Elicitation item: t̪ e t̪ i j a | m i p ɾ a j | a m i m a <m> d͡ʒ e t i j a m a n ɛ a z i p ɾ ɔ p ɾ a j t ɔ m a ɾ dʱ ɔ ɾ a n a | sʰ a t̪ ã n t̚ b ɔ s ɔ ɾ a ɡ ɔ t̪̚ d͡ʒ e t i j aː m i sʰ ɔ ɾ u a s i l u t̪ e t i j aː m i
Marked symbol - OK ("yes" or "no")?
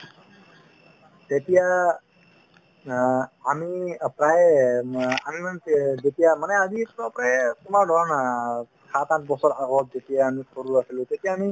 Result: no